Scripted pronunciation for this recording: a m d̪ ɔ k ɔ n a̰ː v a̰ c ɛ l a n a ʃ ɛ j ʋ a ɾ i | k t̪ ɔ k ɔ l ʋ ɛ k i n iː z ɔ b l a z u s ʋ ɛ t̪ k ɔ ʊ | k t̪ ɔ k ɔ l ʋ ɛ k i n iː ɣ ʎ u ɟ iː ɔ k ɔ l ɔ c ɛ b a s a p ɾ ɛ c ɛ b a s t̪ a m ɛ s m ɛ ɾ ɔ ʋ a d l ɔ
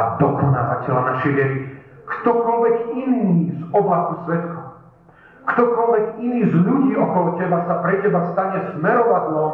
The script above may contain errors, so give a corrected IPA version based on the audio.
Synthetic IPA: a d̪ ɔ k ɔ n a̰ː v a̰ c ɛ l a n a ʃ ɛ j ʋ ɛ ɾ i | k t̪ ɔ k ɔ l ʋ ɛ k i n iː z ɔ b l a s u s ʋ ɛ t̪ k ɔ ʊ | k t̪ ɔ k ɔ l ʋ ɛ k i n iː z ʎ u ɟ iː ɔ k ɔ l ɔ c ɛ b a s a p ɾ ɛ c ɛ b a s t̪ a ɲ ɛ s m ɛ ɾ ɔ ʋ a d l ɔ